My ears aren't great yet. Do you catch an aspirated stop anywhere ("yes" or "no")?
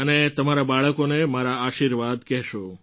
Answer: no